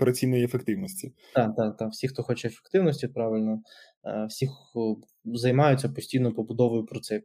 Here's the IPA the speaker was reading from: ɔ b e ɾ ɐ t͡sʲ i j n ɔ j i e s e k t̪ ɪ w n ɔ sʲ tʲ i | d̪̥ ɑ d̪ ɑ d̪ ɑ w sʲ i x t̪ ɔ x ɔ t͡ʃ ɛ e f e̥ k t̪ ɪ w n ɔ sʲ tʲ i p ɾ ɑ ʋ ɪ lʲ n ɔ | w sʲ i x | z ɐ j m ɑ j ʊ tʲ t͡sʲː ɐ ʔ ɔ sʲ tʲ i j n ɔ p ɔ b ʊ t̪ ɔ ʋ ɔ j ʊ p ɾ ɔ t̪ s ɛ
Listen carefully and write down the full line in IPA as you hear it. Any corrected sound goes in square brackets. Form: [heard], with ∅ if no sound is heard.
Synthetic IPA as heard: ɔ [p] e ɾ ɐ t͡sʲ i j n ɔ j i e [f] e k t̪ ɪ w n ɔ sʲ tʲ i | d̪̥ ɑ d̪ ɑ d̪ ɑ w sʲ i x t̪ ɔ x ɔ t͡ʃ ɛ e f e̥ k t̪ ɪ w n ɔ sʲ tʲ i p ɾ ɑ ʋ ɪ lʲ n ɔ | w sʲ i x | z ɐ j m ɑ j ʊ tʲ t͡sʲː ɐ [p] ɔ sʲ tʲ i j n ɔ p ɔ b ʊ [d̪] ɔ ʋ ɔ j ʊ p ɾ ɔ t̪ s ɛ